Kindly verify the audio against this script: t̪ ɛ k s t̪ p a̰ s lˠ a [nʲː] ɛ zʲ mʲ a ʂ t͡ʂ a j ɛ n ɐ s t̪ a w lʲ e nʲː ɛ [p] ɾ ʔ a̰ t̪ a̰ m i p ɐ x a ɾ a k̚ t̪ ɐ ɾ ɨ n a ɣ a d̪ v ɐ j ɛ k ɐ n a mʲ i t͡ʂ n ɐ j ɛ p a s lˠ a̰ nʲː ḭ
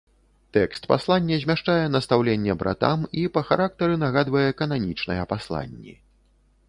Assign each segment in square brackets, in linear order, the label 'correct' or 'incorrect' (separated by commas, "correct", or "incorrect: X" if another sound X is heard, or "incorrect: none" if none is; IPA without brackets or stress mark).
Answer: correct, incorrect: b